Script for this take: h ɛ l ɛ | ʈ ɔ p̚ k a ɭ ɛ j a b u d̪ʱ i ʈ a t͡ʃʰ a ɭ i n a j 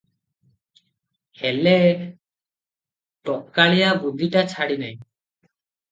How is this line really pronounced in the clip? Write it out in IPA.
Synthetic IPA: h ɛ l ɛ | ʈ ɔ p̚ k a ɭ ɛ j a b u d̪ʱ i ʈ a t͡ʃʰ a ɽ i n a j